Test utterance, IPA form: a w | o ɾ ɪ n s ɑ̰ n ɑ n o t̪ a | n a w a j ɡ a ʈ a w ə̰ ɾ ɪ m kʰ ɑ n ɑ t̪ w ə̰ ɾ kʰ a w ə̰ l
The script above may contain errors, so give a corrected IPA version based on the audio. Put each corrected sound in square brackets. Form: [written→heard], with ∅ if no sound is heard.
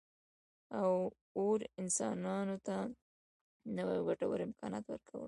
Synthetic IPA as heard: a w | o ɾ ɪ n s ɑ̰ n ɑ n o t̪ a | n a w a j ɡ a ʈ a w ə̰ ɾ ɪ m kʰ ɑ n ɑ t̪ w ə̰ ɾ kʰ a w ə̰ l